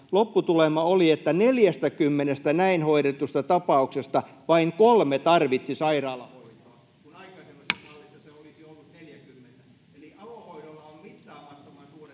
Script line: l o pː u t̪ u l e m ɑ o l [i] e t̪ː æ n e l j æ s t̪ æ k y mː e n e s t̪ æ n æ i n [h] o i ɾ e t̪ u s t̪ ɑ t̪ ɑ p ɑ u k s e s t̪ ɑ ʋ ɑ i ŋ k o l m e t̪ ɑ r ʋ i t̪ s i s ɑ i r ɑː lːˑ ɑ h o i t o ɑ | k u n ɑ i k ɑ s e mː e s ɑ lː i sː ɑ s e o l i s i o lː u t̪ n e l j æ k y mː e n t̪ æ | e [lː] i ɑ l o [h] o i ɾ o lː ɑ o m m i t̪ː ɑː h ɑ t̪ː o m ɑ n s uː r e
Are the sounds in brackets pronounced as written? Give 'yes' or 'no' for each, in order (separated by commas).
yes, yes, no, yes